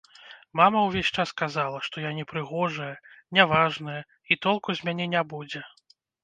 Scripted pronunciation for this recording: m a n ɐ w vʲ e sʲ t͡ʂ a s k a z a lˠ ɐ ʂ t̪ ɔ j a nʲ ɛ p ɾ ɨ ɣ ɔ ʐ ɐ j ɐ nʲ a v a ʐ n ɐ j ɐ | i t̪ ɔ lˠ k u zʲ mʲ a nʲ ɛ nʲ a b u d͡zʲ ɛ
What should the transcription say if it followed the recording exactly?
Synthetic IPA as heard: m a m ɐ w vʲ e sʲ t͡ʂ a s k a z a lˠ ɐ ʂ t̪ ɔ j a nʲ ɛ p ɾ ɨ ɣ ɔ ʐ ɐ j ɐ nʲ a v a ʐ n ɐ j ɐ | i t̪ ɔ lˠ k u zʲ mʲ a nʲ ɛ nʲ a b u d͡zʲ ɛ